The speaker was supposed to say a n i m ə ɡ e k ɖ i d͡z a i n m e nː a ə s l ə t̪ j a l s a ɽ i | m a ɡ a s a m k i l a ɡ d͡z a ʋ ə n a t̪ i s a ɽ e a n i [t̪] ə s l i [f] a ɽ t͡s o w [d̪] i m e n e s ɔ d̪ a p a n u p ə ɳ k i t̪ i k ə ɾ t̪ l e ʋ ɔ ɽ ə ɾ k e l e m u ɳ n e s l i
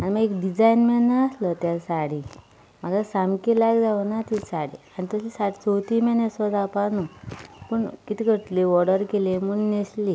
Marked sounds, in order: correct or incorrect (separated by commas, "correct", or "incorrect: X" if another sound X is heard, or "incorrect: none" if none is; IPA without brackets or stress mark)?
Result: correct, incorrect: s, incorrect: t̪